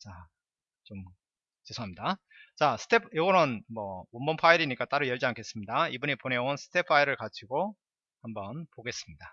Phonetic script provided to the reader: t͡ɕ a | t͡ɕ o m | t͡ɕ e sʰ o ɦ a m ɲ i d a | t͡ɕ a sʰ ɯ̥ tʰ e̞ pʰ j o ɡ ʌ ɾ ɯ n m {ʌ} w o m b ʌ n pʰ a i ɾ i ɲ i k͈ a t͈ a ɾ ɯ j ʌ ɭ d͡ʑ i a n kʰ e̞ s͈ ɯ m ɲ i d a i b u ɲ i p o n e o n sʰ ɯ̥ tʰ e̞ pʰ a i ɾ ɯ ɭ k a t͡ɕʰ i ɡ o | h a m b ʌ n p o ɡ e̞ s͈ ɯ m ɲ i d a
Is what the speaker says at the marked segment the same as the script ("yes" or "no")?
yes